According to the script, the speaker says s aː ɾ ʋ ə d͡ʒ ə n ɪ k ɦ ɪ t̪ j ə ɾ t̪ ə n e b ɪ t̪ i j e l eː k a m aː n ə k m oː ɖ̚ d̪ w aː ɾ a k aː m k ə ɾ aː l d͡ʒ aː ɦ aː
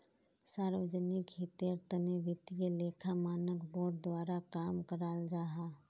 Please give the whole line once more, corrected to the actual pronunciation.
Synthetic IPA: s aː ɾ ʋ ə d͡ʒ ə n ɪ k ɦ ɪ t̪ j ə ɾ t̪ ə n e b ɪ t̪ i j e l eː kʰ a m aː n ə k b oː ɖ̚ d̪ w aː ɾ a k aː m k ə ɾ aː l d͡ʒ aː ɦ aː